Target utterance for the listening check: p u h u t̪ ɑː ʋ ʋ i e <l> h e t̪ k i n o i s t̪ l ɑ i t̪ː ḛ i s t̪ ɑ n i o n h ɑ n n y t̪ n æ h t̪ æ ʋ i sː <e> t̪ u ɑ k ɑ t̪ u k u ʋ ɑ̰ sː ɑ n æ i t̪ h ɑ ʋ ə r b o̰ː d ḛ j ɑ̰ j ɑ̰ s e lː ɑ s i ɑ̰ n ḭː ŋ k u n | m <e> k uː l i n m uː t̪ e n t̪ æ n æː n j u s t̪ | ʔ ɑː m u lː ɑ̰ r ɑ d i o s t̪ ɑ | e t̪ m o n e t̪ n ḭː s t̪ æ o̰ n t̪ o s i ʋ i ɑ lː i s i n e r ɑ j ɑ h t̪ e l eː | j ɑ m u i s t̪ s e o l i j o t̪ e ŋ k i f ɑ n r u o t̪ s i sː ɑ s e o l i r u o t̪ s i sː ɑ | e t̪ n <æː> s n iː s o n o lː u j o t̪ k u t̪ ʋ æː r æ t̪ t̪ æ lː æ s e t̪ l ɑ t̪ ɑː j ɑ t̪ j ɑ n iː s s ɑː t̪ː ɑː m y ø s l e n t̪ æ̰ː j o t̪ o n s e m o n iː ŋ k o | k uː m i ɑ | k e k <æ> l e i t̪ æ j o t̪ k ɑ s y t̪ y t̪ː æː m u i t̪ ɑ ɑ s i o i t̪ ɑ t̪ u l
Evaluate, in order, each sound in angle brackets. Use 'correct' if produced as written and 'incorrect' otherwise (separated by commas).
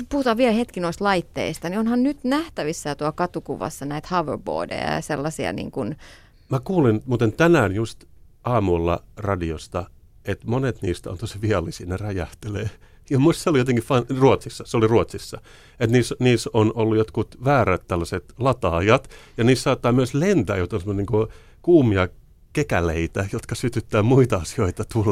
correct, incorrect, incorrect, incorrect, correct